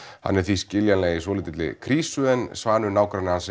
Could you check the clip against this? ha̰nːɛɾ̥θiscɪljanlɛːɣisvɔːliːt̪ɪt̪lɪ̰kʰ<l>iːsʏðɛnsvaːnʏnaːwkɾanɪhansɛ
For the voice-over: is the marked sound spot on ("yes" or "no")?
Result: no